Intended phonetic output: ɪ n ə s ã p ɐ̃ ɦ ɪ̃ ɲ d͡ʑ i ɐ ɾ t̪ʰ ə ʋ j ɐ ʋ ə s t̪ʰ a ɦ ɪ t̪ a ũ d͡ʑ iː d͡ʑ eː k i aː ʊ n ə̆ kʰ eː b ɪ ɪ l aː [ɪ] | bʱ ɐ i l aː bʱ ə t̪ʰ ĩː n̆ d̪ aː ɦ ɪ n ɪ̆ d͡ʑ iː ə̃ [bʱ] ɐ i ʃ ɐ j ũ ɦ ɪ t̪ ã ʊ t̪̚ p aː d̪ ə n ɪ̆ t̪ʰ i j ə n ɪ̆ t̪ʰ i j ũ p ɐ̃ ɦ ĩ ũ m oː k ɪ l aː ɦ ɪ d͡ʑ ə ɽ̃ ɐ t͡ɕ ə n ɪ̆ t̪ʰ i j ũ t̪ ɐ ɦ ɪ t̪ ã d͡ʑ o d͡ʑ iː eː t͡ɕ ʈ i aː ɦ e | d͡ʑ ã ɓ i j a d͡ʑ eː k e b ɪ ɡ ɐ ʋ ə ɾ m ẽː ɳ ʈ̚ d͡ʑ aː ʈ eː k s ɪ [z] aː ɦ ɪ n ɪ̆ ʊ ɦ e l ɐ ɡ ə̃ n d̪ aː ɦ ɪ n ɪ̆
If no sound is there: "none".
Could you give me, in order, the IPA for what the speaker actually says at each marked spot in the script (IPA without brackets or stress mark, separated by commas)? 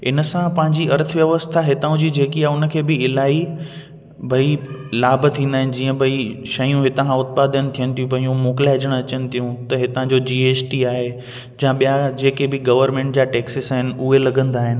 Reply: i, bʱ, s